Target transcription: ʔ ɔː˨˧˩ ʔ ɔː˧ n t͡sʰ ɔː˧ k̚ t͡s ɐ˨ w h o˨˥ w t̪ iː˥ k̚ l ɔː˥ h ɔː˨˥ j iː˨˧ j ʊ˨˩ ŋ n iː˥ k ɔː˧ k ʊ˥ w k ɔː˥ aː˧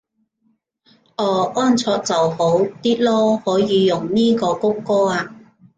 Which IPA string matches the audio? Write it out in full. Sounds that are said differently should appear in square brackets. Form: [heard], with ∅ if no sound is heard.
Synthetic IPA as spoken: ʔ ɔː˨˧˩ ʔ [ɔː˥] n t͡sʰ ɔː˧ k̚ t͡s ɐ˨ w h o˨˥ w t̪ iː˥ [t̚] l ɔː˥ h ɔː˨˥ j iː˨˧ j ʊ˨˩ ŋ n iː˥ k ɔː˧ k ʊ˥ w k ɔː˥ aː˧